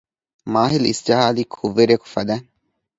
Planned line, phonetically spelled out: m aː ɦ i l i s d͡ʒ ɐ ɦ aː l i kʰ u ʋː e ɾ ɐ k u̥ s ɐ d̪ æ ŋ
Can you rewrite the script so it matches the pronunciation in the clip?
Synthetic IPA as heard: m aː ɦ i l i s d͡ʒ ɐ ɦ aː l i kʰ u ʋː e ɾ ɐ k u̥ f ɐ d̪ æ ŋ